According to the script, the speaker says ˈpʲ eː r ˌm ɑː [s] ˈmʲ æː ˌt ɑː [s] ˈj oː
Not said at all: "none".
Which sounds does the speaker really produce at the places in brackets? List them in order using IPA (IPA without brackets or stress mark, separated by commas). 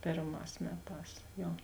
s, s